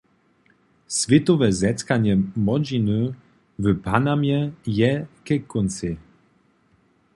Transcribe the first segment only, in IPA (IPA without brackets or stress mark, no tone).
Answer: s